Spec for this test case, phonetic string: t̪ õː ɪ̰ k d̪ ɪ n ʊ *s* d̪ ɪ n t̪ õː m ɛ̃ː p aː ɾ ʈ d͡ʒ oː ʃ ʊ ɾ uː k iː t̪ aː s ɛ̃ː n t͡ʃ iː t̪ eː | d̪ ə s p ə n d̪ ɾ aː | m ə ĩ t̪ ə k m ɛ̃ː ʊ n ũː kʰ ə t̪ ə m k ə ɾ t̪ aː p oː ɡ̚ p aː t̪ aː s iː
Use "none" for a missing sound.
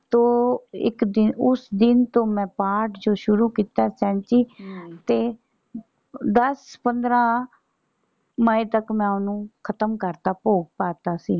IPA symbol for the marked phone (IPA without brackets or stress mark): s